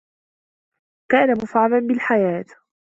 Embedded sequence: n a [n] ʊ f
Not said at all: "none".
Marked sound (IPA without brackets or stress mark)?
m